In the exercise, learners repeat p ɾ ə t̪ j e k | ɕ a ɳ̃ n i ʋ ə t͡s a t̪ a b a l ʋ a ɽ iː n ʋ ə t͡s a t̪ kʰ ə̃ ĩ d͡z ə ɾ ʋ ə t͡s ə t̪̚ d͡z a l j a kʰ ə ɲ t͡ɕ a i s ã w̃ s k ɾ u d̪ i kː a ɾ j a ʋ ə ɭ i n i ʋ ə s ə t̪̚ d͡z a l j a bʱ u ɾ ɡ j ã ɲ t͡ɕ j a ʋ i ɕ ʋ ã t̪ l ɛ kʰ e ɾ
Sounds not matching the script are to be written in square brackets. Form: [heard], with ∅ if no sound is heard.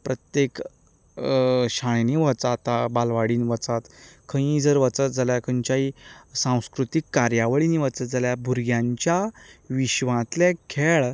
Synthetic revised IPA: p ɾ ə t̪ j e k | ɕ a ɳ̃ n i ʋ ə t͡s a t̪ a b a l ʋ a ɽ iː n ʋ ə t͡s a t̪ kʰ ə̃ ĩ d͡z ə ɾ ʋ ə t͡s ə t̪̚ d͡z a l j a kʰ ə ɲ t͡ɕ a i s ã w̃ s k ɾ u [t̪] i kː a ɾ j a ʋ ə ɭ i n i ʋ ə [t͡s] ə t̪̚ d͡z a l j a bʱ u ɾ ɡ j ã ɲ t͡ɕ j a ʋ i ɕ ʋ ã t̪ l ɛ kʰ e [ɭ]